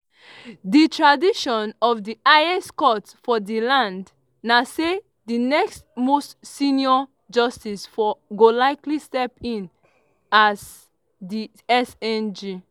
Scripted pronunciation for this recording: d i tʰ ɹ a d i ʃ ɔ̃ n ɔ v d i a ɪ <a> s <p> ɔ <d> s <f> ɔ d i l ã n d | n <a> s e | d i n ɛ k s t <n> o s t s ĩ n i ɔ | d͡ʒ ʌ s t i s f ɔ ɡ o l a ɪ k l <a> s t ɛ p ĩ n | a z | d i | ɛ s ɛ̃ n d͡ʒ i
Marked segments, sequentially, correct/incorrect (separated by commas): incorrect, incorrect, incorrect, correct, correct, incorrect, incorrect